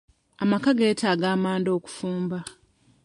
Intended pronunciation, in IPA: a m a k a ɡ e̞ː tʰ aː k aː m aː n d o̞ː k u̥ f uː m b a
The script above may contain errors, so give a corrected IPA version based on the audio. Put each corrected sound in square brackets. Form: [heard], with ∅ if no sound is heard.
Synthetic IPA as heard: a m a k a ɡ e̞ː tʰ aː [ɡ] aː m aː n d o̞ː k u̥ f uː m b a